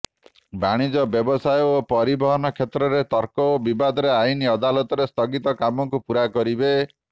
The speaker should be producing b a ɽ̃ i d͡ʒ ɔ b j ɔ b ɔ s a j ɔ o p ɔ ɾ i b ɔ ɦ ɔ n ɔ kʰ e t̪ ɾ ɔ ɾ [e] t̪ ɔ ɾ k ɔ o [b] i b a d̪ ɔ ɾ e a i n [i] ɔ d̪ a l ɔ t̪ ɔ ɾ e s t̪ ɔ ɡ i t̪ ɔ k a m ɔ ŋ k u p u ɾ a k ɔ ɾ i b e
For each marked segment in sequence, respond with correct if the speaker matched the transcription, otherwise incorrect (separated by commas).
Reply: correct, correct, correct